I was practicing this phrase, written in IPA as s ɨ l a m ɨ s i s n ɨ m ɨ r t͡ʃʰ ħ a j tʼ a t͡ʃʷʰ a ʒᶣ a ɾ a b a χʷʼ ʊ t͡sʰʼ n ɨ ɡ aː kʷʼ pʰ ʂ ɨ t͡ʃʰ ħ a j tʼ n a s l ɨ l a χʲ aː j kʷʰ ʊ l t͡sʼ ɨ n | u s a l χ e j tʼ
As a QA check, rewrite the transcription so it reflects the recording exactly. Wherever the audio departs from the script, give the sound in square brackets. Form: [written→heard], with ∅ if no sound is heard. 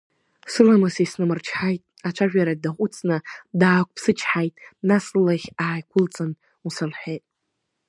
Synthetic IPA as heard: s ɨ l a m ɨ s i s n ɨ m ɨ r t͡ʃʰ ħ a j tʼ a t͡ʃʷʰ a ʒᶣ a ɾ a [b→d] a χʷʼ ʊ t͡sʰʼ n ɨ [ɡ→d] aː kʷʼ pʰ [ʂ→s] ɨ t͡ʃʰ ħ a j tʼ n a s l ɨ l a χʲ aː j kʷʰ ʊ l t͡sʼ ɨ n | u s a l [χ→ħ] e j tʼ